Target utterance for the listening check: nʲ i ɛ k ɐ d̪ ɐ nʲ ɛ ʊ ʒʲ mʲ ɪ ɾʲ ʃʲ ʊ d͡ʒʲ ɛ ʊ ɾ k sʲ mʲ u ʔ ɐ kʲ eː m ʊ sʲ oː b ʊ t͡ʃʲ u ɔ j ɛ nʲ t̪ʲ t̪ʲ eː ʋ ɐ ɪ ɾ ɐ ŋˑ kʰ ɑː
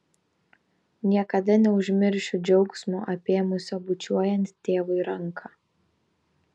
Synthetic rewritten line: nʲ i ɛ k ɐ d̪ ɐ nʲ ɛ ʊ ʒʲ mʲ ɪ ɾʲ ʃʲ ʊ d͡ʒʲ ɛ ʊ k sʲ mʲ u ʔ ɐ pʲ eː m ʊ sʲ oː b ʊ t͡ʃʲ u ɔ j ɛ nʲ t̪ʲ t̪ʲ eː ʋ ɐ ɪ ɾ ɐ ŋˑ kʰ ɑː